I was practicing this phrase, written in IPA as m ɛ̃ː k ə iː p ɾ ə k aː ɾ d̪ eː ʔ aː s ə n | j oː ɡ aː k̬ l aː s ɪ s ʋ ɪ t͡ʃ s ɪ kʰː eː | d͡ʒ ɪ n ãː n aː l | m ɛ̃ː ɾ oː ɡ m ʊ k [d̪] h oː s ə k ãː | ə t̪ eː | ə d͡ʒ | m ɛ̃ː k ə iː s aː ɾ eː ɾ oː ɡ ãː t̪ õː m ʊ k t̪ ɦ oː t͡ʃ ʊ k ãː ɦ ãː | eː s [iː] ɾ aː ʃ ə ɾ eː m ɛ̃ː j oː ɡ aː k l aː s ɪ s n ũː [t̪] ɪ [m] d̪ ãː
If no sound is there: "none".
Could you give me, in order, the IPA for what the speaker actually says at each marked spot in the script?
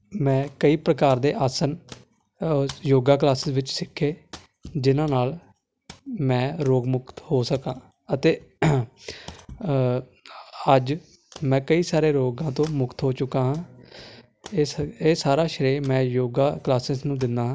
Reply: t̪, aː, d̪, n

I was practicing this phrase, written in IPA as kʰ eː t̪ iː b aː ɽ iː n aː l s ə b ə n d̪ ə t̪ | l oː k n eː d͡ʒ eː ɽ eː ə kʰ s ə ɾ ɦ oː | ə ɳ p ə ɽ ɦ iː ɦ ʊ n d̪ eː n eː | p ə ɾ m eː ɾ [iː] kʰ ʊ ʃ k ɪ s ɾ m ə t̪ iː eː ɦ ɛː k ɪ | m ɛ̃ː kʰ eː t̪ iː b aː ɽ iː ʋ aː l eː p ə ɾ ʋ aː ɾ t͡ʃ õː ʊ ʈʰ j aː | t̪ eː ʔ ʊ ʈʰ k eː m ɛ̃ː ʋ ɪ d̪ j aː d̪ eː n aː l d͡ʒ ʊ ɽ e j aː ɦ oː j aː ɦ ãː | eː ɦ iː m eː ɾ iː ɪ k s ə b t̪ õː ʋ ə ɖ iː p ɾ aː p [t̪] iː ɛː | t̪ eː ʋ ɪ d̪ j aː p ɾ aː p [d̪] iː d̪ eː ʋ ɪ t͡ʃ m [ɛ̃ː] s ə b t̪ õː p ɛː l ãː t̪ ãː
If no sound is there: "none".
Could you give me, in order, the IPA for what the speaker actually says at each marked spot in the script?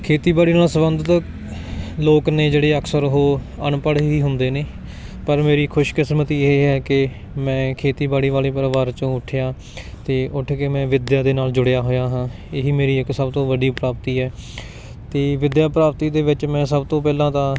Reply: iː, t̪, t̪, ɛ̃ː

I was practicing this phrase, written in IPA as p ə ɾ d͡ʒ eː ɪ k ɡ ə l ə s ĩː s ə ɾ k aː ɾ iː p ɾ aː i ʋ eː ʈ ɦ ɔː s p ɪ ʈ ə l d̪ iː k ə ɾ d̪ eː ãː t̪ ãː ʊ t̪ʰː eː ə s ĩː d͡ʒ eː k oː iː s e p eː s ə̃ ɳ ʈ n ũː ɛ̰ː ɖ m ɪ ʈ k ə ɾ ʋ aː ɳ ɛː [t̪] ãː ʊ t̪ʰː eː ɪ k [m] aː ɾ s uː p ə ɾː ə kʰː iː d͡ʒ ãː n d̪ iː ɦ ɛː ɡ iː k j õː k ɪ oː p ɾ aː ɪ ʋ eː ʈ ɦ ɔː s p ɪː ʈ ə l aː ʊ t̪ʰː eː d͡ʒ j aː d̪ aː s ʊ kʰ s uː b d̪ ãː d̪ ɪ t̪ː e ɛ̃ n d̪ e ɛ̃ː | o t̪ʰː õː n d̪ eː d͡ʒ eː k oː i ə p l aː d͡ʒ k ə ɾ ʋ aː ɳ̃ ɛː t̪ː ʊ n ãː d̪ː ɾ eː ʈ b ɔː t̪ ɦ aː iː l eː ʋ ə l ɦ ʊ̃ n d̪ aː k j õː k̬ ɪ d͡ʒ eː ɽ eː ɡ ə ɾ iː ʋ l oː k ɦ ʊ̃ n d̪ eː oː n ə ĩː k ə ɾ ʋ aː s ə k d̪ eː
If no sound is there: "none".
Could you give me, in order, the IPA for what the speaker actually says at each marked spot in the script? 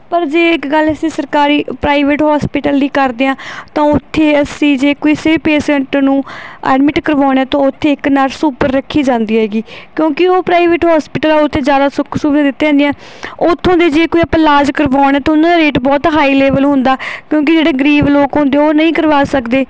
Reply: t̪, n

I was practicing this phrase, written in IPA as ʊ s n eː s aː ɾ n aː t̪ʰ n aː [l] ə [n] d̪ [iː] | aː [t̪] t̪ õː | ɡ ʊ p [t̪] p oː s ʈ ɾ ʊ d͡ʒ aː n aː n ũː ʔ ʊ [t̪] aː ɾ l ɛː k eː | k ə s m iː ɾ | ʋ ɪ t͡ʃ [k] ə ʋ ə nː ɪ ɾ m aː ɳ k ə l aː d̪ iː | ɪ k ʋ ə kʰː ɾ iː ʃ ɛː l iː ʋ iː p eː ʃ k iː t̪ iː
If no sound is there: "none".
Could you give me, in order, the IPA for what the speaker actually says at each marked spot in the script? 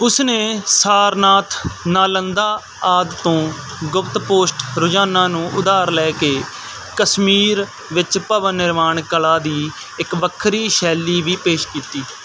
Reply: l, n, aː, d̪, t̪, d̪, p

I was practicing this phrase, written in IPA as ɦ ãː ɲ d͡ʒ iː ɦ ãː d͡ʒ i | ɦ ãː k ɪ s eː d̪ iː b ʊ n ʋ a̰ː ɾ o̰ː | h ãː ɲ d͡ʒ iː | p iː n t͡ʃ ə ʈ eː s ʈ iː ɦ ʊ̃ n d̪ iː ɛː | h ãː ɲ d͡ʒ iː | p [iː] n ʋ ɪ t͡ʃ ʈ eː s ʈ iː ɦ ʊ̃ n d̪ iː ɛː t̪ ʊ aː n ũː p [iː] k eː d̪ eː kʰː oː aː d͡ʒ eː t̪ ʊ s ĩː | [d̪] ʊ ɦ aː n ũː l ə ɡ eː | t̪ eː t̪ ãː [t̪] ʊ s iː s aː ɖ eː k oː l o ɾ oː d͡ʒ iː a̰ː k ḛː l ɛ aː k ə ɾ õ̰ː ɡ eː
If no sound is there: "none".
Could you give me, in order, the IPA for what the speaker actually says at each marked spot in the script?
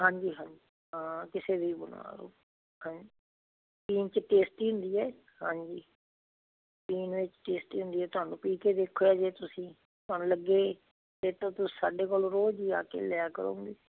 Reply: iː, iː, t̪, t̪

